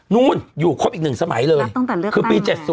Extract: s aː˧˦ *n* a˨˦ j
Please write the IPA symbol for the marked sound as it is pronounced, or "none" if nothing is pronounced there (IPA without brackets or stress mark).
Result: m